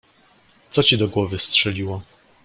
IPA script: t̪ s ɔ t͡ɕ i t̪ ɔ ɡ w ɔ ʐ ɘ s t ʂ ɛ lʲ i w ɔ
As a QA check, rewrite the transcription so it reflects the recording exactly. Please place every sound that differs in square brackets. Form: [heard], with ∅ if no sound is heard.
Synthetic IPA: t̪ s ɔ t͡ɕ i [d̪] ɔ ɡ w ɔ [v] ɘ s t ʂ ɛ lʲ i w ɔ